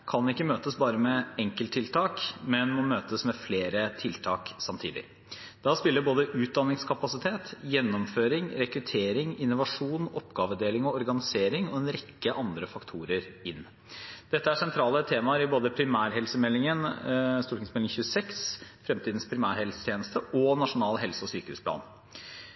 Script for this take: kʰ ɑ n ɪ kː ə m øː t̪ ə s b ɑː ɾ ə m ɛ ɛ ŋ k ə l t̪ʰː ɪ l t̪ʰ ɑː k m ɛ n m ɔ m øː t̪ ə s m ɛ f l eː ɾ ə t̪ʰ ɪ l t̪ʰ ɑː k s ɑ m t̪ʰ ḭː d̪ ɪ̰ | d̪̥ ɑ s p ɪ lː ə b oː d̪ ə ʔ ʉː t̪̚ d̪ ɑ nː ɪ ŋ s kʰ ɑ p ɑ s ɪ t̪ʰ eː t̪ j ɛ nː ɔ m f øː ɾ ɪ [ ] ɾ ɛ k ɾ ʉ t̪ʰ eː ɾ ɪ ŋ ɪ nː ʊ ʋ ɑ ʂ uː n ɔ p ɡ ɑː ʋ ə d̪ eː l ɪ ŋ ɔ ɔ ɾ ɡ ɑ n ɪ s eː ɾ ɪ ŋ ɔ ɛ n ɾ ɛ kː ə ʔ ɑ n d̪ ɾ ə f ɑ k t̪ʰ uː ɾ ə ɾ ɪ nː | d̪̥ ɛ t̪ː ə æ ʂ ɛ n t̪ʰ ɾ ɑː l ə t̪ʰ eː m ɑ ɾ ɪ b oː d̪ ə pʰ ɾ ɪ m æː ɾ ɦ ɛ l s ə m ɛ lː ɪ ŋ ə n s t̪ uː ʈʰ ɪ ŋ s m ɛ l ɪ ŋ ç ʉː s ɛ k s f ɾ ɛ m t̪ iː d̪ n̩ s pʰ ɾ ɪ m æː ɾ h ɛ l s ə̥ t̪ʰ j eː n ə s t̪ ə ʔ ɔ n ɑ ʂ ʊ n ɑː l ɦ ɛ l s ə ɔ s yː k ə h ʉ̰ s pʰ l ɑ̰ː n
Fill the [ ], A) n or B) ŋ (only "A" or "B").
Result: B